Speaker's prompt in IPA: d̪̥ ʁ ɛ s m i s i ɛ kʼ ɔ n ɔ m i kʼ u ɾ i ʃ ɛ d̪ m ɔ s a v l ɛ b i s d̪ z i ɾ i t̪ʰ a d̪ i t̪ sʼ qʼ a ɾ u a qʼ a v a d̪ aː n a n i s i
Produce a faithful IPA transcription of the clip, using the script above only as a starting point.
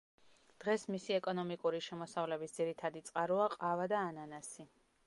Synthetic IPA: d̪̥ ʁ ɛ s m i s i ɛ kʼ ɔ n ɔ m i kʼ u ɾ i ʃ ɛ m ɔ s a v l ɛ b i s d̪ z i ɾ i t̪ʰ a d̪ i t̪ sʼ qʼ a ɾ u a qʼ a v a d̪ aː n a n a s i